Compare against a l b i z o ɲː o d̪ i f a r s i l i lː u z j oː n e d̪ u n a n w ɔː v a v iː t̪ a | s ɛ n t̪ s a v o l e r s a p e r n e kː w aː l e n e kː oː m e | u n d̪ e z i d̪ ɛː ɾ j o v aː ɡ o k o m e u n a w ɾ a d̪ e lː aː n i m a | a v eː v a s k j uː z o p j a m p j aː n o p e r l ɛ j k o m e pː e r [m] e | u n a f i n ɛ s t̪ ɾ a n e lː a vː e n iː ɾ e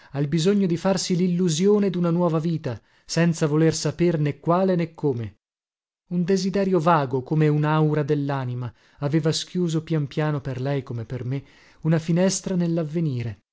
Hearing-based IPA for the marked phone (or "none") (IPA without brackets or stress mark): m